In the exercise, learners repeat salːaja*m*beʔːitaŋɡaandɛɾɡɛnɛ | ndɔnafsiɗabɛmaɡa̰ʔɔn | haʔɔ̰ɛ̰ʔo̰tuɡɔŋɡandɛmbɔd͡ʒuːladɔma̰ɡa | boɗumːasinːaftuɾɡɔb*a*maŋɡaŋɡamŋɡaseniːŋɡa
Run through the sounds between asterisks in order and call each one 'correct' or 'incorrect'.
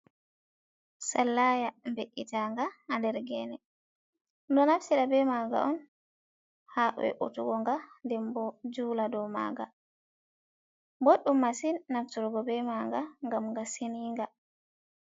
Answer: correct, incorrect: ɛ

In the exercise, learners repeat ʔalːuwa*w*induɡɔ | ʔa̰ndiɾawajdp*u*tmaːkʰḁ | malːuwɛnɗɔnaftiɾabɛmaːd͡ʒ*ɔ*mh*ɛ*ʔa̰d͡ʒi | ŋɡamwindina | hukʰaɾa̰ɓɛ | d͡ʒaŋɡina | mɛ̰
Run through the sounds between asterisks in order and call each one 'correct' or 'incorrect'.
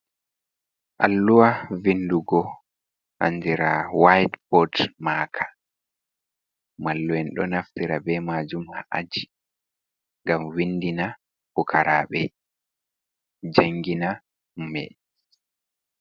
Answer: incorrect: v, incorrect: ɔ, incorrect: u, incorrect: a

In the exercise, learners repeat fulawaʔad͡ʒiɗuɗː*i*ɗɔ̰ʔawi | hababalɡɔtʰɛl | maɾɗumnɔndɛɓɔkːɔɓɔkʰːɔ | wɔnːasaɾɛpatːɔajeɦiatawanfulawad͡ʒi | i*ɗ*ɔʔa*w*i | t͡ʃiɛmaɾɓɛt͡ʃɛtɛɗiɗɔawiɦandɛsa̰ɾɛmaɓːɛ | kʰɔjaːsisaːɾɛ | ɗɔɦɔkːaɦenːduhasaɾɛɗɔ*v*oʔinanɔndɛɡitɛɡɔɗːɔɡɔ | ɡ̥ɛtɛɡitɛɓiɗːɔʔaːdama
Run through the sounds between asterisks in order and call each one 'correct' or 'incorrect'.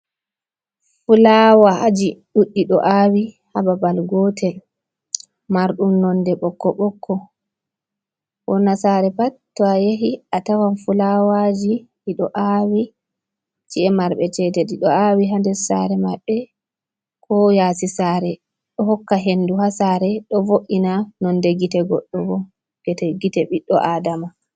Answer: correct, correct, correct, correct

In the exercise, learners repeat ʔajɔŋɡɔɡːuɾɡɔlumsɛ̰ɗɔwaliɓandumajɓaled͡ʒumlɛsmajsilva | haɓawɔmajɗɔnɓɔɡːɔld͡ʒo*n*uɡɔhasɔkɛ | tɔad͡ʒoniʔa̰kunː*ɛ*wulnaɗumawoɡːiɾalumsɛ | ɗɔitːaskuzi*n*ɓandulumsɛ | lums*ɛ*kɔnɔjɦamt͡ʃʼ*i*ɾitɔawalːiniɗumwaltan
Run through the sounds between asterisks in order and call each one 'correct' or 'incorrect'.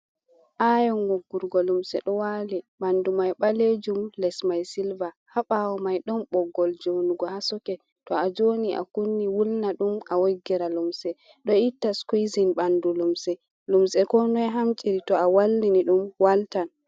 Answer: correct, incorrect: i, correct, correct, correct

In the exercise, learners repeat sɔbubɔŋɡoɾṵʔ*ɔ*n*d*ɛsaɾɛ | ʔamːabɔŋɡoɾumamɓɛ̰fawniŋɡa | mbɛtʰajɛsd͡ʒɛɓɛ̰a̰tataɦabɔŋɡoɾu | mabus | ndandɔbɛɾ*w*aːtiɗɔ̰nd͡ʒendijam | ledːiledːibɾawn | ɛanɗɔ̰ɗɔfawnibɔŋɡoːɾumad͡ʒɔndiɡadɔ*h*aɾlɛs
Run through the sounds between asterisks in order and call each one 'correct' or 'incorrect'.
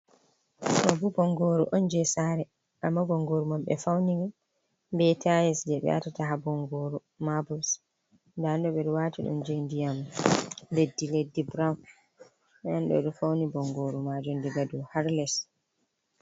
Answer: correct, incorrect: d͡ʒ, correct, correct

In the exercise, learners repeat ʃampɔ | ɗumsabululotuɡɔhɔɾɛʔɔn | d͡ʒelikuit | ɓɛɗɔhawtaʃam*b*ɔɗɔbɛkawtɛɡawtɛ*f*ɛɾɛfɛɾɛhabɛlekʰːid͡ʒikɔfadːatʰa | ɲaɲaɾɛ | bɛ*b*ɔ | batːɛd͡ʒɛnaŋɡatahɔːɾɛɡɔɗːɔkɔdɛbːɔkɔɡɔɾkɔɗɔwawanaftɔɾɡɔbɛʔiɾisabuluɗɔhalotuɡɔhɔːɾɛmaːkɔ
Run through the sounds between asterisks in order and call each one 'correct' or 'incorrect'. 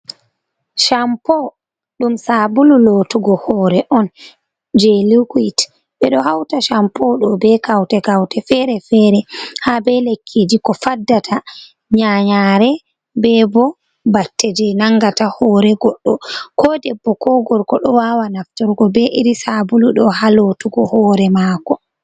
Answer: incorrect: p, correct, correct

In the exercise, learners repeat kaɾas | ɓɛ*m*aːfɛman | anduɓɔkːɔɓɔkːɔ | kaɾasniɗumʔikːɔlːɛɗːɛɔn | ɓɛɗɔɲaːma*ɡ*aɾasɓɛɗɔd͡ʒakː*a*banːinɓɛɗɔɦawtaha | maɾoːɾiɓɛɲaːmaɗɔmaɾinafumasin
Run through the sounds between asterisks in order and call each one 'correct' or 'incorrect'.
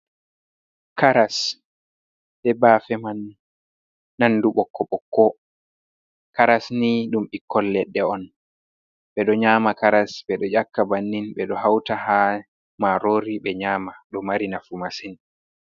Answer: incorrect: b, incorrect: k, correct

